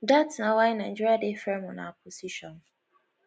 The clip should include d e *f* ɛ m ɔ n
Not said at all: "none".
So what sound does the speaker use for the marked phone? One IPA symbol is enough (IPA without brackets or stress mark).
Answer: f